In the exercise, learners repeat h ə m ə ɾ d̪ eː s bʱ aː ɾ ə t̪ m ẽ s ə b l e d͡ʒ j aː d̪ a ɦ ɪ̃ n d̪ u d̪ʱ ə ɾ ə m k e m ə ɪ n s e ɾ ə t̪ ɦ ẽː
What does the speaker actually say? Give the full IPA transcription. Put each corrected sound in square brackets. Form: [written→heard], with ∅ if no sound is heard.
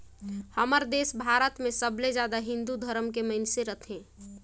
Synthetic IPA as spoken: h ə m ə ɾ d̪ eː s bʱ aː ɾ ə t̪ m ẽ s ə b l e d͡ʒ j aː d̪ a ɦ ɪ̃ n d̪ u d̪ʱ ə ɾ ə m k e m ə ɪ n s e ɾ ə [t̪→t̪ʰ] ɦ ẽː

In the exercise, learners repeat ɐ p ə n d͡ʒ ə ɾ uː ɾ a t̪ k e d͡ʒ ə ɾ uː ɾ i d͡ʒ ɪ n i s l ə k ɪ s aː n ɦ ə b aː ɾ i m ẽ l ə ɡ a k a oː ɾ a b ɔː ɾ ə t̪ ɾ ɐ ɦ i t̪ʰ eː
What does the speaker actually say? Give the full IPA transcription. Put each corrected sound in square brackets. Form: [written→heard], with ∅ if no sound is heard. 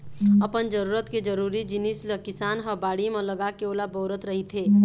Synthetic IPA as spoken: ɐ p ə n d͡ʒ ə ɾ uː ɾ [a→ə] t̪ k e d͡ʒ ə ɾ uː ɾ i d͡ʒ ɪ n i s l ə k ɪ s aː n ɦ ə b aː [ɾ→ɽ] i m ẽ l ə ɡ a k [a→e] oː [ɾ→l] a b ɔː ɾ ə t̪ ɾ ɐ ɦ i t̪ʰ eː

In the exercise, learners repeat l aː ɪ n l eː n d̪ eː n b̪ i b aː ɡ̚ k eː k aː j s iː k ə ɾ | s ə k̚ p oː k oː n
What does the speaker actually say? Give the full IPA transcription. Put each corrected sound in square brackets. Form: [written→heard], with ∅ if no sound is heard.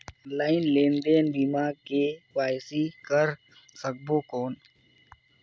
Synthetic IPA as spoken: l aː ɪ n l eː n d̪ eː n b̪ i [b→m] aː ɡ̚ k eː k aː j s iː k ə ɾ | s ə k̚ [p→b] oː k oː n

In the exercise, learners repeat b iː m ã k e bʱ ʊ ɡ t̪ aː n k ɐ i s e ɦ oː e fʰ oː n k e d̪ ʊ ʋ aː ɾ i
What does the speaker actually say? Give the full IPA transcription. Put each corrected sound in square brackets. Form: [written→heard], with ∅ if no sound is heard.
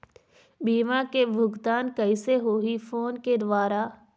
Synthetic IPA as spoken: b iː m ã k e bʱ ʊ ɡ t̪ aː n k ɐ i s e ɦ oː [e→i] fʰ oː n k e d̪ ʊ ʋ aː ɾ [i→a]

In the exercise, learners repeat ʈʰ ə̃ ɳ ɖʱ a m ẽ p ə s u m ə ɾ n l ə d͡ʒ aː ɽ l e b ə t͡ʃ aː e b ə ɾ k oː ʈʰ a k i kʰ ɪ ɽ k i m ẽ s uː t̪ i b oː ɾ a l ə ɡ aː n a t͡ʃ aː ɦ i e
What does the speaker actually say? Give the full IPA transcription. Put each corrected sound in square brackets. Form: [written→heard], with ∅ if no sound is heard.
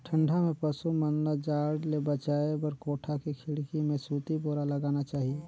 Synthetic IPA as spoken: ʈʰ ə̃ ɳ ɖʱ a m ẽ p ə s u m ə [ɾ→∅] n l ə d͡ʒ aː ɽ l e b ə t͡ʃ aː e b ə ɾ k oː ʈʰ a k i kʰ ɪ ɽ k i m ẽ s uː t̪ i b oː ɾ a l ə ɡ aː n a t͡ʃ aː ɦ i e

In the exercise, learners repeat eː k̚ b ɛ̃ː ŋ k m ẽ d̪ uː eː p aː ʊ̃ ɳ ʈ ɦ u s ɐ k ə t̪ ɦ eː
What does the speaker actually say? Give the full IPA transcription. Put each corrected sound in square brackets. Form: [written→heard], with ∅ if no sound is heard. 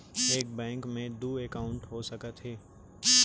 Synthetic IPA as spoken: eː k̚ b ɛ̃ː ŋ k m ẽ d̪ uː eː [p→k] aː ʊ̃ ɳ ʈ ɦ [u→o] s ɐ k ə t̪ ɦ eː

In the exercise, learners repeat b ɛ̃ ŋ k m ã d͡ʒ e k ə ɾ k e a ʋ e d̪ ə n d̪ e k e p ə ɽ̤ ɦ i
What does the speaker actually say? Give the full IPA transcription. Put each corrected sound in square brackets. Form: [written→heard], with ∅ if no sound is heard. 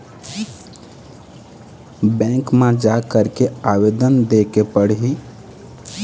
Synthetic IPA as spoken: b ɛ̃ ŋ k m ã d͡ʒ [e→a] k ə ɾ k e a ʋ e d̪ ə n d̪ e k e p ə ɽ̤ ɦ i

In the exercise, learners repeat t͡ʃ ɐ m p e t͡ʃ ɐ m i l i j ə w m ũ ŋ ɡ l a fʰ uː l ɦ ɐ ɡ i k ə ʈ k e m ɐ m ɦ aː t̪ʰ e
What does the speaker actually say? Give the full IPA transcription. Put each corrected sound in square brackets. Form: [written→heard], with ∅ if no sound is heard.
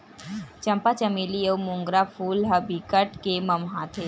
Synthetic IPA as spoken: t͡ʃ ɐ m p [e→a] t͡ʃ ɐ m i l i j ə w m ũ ŋ ɡ [l→ɾ] a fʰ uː l ɦ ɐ [ɡ→b] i k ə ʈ k e m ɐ m ɦ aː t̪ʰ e

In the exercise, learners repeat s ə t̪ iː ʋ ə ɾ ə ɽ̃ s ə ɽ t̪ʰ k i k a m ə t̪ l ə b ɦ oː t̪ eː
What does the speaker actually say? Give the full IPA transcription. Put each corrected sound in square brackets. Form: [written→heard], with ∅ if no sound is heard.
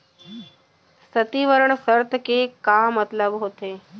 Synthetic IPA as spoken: s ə t̪ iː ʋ ə ɾ ə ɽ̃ s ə [ɽ→ɾ] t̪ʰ k [i→e] k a m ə t̪ l ə b ɦ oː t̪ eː

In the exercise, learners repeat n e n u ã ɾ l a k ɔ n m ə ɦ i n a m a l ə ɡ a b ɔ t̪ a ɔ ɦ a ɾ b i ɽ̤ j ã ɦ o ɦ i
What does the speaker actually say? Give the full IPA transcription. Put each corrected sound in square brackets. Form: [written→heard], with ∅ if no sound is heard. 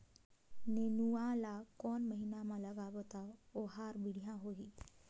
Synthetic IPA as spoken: n e n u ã [ɾ→∅] l a k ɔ n m ə ɦ i n a m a l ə ɡ a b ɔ t̪ a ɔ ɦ a ɾ b i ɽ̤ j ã ɦ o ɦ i

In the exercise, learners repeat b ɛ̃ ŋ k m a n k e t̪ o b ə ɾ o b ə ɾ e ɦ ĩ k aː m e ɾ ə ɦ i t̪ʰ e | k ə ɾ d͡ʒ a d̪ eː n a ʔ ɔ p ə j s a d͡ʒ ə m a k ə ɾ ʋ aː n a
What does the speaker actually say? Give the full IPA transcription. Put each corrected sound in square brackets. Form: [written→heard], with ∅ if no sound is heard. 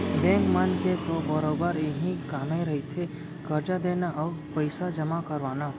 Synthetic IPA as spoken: b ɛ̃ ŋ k m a n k e t̪ o b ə ɾ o b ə ɾ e ɦ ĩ k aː m e ɾ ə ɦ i t̪ʰ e | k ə ɾ d͡ʒ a d̪ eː n a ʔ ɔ p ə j s a d͡ʒ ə m a k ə ɾ ʋ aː n a

